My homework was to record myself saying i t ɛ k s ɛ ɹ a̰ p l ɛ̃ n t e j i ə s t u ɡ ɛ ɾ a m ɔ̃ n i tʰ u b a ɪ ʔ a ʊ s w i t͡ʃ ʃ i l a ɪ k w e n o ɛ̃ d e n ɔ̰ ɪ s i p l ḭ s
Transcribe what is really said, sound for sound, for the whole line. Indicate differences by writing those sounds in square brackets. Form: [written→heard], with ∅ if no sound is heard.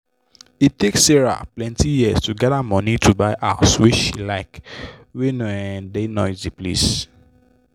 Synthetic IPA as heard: i t [ɛ→e] k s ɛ ɹ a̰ p l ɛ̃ n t [e→i] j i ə s t u ɡ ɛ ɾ a m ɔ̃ n i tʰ u b a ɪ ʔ a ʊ s w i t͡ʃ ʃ i l a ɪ k w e n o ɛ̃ d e n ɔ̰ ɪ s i p l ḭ s